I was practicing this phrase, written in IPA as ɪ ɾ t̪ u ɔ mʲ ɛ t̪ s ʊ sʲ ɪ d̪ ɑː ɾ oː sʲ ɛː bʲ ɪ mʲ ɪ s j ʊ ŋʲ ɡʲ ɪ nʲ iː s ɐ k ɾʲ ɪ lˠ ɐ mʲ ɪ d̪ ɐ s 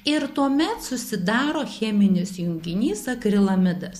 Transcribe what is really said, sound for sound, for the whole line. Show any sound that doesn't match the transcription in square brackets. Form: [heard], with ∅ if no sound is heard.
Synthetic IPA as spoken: ɪ ɾ t̪ u ɔ mʲ ɛ t̪ s ʊ sʲ ɪ d̪ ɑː ɾ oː [xʲ] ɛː [mʲ] ɪ [nʲ] ɪ s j ʊ ŋʲ ɡʲ ɪ nʲ iː s ɐ k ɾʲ ɪ lˠ ɐ mʲ ɪ d̪ ɐ s